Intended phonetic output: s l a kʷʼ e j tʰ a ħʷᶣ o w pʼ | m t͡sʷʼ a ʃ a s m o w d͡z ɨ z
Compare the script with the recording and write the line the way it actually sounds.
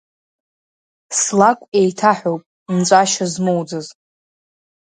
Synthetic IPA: s l a kʷʼ e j tʰ a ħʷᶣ o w pʼ | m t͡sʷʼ a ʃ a z m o w d͡z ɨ z